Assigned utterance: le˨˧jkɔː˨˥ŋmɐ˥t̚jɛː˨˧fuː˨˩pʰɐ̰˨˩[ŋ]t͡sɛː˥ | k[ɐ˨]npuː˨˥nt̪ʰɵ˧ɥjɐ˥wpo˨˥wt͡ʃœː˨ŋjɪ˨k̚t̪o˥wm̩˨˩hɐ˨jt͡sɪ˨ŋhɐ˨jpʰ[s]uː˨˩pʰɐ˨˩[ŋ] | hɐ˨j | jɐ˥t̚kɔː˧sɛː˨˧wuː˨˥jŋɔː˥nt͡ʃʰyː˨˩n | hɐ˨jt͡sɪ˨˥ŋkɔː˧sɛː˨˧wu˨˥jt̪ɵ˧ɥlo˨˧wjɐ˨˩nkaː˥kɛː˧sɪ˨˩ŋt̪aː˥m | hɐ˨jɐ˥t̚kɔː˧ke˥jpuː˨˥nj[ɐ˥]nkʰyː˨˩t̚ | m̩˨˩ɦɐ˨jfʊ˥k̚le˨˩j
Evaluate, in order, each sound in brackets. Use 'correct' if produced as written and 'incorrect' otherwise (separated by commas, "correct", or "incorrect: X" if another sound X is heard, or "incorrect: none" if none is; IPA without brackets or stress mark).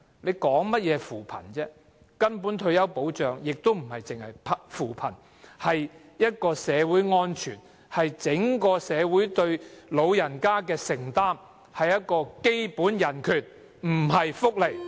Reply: incorrect: n, incorrect: ɐ˥, incorrect: f, incorrect: n, incorrect: ɐ˨˩